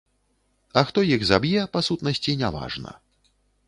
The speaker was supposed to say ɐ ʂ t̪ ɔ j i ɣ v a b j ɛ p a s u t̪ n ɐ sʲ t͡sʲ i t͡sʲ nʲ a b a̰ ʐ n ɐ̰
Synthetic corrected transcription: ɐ x t̪ ɔ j i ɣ z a b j ɛ p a s u t̪ n ɐ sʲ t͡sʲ i nʲ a v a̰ ʐ n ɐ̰